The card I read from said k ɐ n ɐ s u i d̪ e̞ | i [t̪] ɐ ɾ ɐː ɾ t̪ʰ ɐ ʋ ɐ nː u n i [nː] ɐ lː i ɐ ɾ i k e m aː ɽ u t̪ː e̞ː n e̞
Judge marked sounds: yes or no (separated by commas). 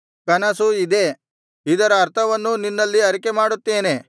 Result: no, yes